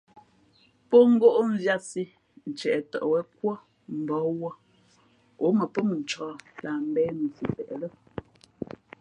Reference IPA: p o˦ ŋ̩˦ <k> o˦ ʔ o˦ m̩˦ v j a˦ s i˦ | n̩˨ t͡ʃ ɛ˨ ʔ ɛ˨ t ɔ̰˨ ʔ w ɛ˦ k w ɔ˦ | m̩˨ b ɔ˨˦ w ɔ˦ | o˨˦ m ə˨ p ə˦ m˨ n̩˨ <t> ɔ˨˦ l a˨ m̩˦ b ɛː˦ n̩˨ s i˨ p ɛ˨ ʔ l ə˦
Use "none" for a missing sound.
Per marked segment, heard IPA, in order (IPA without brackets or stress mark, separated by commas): ɡ, t͡ʃ